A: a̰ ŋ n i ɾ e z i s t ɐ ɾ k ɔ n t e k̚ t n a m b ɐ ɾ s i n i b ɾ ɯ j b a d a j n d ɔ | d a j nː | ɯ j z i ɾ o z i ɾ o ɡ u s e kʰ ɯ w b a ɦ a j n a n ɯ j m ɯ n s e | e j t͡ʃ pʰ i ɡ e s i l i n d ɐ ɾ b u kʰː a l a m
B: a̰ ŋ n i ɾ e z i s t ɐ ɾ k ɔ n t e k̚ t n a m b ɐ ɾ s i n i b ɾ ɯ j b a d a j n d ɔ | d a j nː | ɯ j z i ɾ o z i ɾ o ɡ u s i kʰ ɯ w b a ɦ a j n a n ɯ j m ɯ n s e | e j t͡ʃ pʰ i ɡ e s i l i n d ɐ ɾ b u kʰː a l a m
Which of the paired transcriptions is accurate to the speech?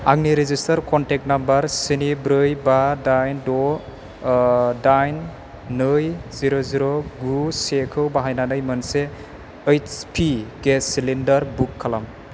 A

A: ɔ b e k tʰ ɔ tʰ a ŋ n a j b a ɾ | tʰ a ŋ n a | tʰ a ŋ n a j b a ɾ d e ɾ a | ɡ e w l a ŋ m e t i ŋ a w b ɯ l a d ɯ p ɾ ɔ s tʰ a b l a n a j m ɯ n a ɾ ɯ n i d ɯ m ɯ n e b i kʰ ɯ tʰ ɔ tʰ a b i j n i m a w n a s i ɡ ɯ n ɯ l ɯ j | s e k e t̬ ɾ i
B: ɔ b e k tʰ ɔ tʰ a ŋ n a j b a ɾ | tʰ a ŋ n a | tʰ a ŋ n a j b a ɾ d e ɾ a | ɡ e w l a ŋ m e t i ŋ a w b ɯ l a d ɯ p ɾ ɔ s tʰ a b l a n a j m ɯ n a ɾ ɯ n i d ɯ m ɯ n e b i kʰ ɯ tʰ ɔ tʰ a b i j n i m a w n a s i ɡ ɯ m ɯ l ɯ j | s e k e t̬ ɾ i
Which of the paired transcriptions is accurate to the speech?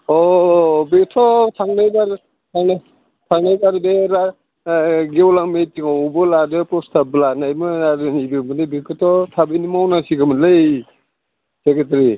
B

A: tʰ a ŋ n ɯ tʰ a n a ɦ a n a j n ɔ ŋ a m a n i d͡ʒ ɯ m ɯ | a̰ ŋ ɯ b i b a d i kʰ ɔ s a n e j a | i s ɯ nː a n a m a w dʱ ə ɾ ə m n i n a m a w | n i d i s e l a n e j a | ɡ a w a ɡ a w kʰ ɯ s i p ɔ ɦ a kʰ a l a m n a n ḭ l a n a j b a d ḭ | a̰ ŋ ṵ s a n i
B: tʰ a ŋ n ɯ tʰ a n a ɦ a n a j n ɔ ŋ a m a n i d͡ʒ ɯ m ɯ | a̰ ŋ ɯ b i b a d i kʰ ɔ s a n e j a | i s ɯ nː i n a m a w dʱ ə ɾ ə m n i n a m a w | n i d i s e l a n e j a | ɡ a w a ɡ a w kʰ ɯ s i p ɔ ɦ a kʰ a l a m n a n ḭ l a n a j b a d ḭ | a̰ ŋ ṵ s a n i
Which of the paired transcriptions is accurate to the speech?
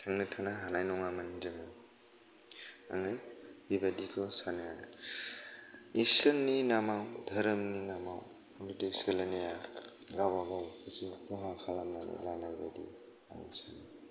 B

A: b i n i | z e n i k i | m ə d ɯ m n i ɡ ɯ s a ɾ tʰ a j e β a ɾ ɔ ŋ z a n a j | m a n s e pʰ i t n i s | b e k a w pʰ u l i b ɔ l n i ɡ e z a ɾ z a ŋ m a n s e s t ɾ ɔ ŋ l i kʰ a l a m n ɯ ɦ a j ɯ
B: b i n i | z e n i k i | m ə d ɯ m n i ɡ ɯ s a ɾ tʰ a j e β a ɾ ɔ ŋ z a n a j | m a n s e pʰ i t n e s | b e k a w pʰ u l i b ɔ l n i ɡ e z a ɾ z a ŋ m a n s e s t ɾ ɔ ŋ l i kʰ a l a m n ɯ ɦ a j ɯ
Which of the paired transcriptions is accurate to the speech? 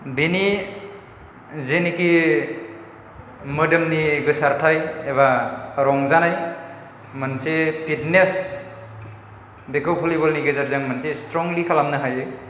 B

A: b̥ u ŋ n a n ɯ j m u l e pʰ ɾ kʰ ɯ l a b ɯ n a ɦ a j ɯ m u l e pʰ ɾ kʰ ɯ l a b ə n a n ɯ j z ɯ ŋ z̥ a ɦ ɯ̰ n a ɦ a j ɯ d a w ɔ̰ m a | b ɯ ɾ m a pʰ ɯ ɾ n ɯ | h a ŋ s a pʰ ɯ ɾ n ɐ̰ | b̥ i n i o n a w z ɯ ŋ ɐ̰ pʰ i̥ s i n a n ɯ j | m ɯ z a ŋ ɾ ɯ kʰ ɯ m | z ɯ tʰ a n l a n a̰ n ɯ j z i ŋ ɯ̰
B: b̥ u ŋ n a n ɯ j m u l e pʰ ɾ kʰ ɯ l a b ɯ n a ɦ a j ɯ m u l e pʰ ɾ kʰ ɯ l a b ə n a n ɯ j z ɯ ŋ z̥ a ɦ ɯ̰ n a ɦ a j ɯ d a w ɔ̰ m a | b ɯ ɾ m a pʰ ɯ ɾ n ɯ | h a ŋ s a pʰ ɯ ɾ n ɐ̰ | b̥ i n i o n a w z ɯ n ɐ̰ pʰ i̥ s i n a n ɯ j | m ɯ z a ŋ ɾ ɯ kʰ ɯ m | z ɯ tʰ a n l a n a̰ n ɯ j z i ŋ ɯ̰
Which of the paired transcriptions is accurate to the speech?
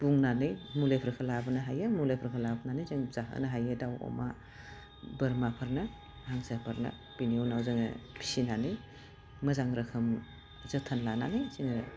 A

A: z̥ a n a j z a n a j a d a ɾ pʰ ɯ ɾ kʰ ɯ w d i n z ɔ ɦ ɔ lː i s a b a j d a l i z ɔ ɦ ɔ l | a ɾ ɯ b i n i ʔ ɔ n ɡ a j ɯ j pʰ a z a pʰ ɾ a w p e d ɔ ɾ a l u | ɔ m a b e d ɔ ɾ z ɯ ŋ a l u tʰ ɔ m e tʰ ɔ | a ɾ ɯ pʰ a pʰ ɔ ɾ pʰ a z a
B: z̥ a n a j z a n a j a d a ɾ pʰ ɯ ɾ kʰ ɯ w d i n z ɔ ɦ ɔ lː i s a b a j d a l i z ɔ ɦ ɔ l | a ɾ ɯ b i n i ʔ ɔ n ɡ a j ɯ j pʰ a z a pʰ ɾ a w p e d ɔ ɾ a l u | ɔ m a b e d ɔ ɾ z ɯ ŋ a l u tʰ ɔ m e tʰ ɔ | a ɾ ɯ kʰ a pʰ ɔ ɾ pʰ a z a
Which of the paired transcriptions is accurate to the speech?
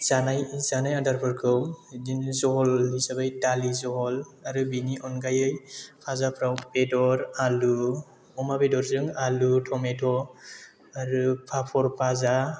A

